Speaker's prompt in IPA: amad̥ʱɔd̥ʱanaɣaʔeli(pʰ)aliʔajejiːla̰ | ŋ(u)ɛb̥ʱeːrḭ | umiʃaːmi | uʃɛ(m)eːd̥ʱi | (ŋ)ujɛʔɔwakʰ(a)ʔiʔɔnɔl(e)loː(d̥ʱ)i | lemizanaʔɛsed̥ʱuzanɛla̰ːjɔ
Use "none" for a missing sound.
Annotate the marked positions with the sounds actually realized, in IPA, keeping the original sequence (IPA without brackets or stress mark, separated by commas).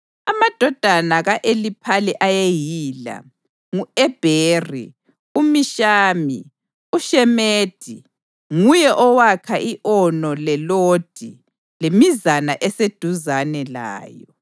pʰ, u, m, ŋ, a, ɛ, d̥ʱ